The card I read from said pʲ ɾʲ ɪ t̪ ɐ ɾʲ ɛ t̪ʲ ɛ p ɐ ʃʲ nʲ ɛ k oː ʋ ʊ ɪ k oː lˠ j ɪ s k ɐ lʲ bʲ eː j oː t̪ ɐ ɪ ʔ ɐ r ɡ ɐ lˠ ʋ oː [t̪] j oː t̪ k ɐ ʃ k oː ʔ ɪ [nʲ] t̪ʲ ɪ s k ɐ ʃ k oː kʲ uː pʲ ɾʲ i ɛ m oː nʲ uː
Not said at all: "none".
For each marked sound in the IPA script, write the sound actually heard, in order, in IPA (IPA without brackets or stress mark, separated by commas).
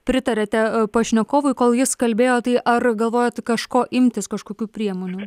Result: none, mʲ